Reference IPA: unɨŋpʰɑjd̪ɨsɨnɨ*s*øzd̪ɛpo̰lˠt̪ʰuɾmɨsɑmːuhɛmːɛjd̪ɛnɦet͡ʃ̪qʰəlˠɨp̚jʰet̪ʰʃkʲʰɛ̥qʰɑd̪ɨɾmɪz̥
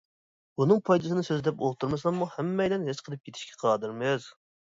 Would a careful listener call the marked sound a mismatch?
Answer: no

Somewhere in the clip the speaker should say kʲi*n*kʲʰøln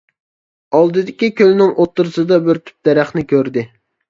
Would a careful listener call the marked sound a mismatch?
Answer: yes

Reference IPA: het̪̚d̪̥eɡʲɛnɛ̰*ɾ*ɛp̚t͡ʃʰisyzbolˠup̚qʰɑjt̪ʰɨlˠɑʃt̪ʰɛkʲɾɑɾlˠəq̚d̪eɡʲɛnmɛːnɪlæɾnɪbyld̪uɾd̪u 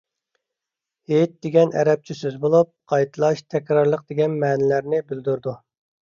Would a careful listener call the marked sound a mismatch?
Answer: no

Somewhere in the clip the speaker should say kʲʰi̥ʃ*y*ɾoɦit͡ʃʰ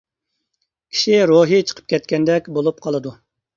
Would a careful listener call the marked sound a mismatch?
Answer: yes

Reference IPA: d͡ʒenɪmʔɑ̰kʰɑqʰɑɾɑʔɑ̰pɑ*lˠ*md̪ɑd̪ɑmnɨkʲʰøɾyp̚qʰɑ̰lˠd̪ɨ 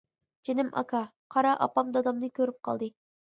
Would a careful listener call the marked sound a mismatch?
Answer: yes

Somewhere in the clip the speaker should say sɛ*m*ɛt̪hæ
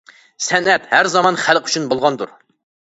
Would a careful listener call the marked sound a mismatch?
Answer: yes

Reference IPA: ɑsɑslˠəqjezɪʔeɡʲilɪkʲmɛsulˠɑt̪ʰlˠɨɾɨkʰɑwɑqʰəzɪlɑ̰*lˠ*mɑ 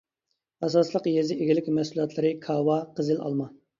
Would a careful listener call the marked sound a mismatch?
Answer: no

